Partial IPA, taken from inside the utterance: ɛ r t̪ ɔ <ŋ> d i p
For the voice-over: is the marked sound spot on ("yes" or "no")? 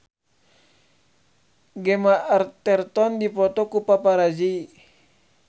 no